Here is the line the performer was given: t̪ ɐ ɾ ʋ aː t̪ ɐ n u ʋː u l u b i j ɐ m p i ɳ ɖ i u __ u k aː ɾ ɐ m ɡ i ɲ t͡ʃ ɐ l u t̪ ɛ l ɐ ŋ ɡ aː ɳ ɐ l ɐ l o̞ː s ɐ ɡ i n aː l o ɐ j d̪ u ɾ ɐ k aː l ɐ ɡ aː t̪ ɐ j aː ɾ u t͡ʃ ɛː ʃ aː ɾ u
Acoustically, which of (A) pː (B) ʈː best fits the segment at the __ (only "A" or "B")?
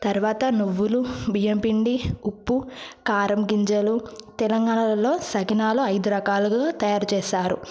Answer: A